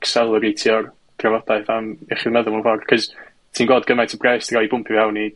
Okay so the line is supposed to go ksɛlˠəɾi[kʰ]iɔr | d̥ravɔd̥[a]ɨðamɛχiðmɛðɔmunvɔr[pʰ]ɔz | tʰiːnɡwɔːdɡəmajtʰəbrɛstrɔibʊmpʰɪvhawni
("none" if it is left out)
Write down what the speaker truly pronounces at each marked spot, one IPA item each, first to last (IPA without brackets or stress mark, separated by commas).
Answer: tʰ, a, kʰ